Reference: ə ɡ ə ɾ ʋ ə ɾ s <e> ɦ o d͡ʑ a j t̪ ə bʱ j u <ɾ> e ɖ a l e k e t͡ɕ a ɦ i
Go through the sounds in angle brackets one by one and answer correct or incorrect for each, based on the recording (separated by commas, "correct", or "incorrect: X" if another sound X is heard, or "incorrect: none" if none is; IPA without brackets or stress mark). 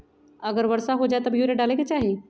incorrect: a, correct